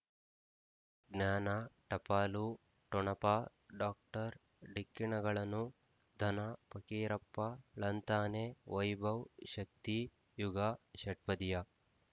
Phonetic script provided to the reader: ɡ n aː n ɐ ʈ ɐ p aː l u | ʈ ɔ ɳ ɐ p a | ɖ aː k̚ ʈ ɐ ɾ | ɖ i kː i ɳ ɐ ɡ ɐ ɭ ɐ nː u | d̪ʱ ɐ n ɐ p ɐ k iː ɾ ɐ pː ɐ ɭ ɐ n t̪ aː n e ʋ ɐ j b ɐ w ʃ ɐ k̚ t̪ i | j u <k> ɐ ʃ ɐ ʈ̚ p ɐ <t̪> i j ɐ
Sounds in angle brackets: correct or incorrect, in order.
incorrect, incorrect

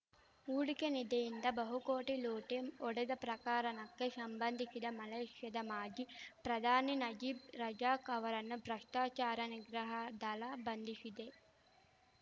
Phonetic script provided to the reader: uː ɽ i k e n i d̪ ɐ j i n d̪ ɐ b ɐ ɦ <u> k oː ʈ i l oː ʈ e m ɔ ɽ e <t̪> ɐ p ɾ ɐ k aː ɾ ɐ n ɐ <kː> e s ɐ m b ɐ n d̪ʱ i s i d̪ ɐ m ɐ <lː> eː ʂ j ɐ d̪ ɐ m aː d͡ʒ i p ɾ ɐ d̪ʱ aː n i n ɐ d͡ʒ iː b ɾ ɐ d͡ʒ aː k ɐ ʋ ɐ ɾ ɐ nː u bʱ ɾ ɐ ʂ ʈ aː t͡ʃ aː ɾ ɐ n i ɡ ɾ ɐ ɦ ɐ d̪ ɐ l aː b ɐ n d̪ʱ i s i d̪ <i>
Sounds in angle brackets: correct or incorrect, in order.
correct, incorrect, correct, incorrect, incorrect

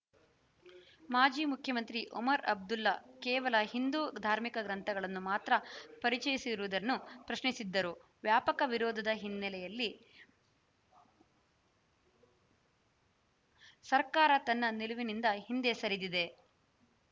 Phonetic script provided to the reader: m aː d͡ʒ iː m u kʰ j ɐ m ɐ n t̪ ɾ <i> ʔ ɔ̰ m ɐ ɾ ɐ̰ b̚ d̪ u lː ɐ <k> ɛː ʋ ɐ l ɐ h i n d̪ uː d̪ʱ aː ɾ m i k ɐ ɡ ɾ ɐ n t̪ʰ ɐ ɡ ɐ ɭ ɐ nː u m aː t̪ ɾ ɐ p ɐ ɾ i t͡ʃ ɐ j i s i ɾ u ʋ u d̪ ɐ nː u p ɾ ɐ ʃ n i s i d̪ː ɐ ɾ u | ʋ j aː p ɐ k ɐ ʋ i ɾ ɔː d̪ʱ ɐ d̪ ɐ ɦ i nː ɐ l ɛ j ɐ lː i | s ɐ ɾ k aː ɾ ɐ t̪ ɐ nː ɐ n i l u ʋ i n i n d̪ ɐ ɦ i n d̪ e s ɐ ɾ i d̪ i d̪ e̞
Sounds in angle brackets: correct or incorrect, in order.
correct, correct

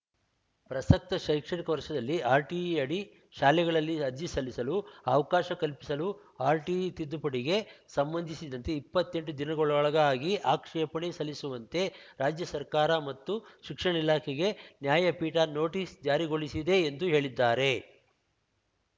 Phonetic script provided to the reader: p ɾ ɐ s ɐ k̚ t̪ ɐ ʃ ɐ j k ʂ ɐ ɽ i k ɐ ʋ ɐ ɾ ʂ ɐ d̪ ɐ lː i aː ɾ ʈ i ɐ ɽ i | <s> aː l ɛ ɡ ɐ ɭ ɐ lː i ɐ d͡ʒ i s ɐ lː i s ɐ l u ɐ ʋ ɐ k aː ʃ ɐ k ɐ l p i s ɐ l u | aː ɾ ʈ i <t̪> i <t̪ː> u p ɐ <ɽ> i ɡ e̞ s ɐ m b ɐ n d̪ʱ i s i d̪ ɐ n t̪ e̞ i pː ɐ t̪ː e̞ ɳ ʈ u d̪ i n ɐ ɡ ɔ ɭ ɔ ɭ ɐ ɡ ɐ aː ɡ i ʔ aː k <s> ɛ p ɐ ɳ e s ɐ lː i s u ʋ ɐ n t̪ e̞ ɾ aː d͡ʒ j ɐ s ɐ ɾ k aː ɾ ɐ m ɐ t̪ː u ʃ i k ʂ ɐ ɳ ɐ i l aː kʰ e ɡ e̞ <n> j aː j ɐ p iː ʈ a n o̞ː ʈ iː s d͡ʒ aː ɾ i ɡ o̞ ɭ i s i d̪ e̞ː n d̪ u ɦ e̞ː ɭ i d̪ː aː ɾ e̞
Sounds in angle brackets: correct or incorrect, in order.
incorrect, correct, incorrect, correct, incorrect, correct

